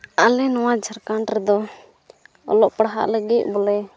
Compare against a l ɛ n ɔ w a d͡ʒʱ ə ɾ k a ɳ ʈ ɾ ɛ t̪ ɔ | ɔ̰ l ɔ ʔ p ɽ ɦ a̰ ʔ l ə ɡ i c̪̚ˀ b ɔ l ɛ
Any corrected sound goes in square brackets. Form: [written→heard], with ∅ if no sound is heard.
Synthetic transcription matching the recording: a l ɛ n ɔ w a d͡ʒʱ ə ɾ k a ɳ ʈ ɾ ɛ [t̪→d̪] ɔ | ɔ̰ l ɔ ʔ p ɽ ɦ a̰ ʔ l ə ɡ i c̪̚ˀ b ɔ l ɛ